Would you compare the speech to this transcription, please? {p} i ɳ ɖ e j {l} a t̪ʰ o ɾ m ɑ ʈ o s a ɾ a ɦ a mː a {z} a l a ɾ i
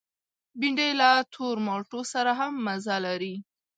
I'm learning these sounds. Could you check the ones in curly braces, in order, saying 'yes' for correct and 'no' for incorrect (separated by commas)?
no, yes, yes